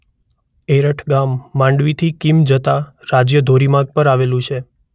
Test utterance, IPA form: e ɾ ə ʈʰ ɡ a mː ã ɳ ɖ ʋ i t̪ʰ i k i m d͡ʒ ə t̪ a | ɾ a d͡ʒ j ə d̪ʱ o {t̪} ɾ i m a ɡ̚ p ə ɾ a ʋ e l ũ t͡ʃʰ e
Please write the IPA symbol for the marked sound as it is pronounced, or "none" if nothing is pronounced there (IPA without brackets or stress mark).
none